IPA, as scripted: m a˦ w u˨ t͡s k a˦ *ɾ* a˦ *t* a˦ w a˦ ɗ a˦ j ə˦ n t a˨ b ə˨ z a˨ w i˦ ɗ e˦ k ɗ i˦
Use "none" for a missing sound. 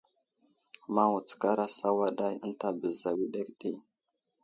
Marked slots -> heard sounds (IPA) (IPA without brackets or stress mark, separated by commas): ɾ, s